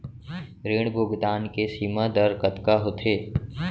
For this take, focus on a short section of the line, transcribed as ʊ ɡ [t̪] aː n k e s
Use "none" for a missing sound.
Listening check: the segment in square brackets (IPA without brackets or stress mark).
d̪